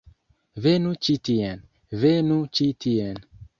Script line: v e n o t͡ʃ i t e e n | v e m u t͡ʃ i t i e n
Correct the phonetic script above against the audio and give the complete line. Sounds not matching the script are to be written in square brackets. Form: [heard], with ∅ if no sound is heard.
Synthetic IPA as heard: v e n [u] t͡ʃ i t [i] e n | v e [n] u t͡ʃ i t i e n